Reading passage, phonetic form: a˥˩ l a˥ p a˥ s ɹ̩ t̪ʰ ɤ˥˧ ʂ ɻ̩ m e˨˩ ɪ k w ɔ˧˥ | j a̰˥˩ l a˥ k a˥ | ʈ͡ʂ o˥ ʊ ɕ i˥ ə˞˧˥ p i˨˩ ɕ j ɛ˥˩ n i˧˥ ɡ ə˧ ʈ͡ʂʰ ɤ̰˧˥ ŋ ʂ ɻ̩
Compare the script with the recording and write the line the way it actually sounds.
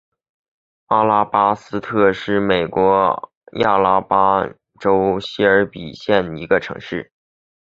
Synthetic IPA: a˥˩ l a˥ p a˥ s ɹ̩ t̪ʰ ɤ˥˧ ʂ ɻ̩ m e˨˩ ɪ k w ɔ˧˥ | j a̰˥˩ l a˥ p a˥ | ʈ͡ʂ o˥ ʊ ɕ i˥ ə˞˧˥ p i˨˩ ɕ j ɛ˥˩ n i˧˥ ɡ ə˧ ʈ͡ʂʰ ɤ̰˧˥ ŋ ʂ ɻ̩